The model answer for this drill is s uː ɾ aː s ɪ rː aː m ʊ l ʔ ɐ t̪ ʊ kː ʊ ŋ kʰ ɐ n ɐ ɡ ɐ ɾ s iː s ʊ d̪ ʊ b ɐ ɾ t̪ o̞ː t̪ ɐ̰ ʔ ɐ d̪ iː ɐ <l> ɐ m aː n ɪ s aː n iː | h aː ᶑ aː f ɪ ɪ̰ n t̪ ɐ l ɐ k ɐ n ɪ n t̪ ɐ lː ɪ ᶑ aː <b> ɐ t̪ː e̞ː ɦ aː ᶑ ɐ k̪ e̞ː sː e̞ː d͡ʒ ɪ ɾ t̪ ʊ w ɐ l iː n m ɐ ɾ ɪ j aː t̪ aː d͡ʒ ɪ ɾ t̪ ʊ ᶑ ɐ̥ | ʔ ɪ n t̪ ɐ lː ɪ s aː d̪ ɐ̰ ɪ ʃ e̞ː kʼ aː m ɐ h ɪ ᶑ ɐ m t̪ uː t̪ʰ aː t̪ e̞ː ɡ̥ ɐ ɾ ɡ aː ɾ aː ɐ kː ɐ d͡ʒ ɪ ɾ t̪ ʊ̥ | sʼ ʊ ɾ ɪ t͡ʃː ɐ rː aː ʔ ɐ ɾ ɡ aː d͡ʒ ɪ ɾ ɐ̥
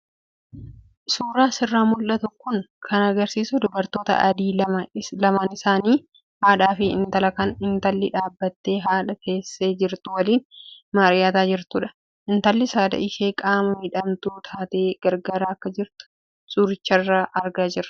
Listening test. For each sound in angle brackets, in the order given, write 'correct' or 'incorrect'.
correct, incorrect: bː

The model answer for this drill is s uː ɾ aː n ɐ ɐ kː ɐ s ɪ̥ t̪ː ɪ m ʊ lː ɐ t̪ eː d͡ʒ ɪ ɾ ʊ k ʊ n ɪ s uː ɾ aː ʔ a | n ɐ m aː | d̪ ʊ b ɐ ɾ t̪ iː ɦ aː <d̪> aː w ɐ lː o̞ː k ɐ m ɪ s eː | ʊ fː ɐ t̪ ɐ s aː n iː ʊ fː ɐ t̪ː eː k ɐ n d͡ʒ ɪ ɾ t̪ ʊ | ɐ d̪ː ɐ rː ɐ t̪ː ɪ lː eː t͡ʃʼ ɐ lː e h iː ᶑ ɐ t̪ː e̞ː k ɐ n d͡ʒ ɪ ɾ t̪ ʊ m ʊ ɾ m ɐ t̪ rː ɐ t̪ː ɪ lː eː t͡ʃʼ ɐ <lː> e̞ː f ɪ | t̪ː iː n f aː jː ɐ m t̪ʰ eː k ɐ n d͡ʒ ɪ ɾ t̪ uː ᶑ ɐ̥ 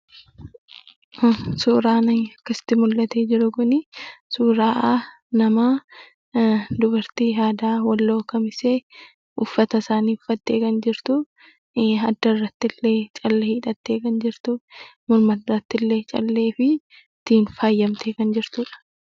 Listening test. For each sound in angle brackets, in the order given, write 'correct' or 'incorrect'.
correct, correct

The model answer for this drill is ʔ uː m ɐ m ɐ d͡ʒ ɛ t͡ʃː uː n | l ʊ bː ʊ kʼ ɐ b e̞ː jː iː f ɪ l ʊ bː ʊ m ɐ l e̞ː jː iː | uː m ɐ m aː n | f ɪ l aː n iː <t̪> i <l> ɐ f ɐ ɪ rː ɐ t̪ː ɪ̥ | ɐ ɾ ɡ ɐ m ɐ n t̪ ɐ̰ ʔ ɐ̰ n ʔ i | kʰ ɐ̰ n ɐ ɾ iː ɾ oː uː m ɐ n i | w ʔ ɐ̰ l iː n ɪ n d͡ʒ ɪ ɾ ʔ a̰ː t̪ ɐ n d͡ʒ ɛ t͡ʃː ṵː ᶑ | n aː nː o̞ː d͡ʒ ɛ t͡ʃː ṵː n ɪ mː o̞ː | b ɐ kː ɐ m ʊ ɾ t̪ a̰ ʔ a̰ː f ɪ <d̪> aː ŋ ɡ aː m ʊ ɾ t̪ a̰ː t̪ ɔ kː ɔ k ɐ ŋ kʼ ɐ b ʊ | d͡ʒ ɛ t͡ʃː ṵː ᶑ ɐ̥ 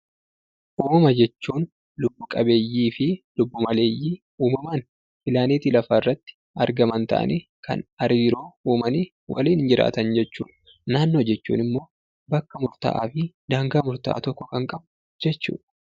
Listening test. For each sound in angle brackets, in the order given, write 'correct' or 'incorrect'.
correct, correct, correct

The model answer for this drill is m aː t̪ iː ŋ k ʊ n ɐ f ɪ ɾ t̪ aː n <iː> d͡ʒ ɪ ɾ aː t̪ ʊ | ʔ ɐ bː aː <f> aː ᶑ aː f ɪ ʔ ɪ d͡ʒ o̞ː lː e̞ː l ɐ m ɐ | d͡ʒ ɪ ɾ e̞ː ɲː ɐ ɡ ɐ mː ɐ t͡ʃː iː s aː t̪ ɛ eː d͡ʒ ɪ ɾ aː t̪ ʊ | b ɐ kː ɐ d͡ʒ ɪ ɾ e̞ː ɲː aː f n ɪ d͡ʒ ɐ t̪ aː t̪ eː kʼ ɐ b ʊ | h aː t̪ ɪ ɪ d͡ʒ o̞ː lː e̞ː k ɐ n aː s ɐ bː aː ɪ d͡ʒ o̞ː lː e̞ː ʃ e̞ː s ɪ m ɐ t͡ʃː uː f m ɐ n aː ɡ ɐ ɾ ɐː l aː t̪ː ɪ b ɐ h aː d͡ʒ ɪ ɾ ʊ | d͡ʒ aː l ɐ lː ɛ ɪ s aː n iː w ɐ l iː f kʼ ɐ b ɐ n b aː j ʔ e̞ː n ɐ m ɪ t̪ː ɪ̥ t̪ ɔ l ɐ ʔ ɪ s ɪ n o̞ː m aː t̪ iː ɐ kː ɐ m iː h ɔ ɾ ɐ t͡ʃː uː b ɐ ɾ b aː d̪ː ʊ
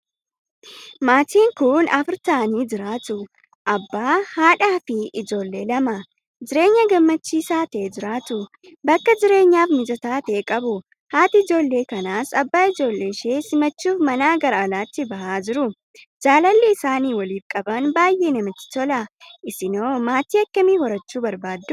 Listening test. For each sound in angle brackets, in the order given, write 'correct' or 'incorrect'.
correct, incorrect: h

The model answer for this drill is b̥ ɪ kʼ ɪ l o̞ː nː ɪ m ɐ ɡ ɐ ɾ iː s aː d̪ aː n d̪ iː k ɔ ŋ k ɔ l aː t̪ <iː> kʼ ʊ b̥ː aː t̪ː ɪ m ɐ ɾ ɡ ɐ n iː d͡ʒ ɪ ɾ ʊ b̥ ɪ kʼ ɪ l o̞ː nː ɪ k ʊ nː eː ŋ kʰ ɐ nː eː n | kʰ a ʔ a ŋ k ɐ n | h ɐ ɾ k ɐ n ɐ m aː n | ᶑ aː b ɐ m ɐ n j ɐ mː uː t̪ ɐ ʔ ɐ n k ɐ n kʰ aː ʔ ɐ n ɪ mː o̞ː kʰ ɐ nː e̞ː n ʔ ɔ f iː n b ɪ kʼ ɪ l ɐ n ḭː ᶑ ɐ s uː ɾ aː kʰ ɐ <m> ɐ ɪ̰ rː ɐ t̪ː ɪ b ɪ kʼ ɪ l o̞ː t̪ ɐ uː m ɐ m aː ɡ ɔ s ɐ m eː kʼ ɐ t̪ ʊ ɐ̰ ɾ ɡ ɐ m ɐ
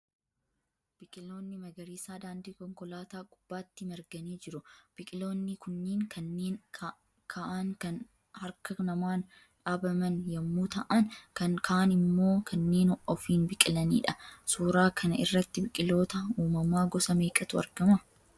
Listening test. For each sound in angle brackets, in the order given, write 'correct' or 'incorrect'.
incorrect: aː, incorrect: n

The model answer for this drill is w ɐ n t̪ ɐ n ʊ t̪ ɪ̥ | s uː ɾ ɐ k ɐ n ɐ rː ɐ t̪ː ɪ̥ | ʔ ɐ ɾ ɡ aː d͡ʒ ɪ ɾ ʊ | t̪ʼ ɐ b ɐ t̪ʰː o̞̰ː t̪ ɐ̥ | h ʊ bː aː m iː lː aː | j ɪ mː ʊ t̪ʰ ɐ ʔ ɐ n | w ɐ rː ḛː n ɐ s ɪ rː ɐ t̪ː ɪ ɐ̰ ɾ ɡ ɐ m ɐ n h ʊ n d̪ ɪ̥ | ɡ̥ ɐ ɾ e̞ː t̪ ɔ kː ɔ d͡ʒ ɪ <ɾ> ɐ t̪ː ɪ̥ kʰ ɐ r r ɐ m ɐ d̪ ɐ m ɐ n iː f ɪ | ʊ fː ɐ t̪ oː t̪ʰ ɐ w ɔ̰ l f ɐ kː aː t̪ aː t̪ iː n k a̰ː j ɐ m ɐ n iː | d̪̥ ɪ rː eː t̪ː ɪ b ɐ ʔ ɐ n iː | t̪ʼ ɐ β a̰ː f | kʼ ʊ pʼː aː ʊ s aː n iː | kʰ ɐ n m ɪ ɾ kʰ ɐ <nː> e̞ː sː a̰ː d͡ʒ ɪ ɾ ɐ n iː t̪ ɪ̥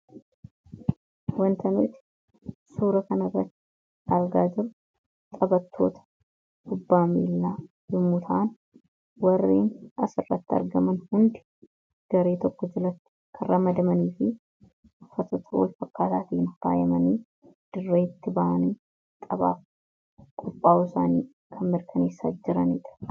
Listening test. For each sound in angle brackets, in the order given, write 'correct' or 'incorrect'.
incorrect: l, incorrect: n

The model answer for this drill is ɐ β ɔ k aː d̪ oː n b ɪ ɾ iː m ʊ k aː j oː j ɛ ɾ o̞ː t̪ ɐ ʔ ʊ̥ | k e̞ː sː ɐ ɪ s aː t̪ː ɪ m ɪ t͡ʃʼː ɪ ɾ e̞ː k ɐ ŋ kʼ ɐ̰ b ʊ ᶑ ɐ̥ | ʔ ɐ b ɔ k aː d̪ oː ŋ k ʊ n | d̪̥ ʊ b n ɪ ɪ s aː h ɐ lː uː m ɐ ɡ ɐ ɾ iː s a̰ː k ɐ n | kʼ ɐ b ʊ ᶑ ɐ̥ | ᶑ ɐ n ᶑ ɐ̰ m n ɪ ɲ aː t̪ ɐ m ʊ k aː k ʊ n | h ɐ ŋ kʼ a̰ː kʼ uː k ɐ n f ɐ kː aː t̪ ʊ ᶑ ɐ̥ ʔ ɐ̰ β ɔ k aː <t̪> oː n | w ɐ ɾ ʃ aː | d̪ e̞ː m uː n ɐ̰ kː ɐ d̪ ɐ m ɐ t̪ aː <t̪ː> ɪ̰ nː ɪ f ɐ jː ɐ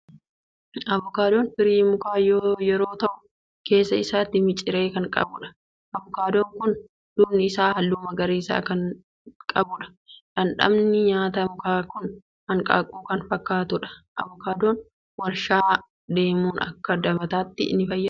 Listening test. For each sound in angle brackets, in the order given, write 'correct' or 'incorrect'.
incorrect: d̪, correct

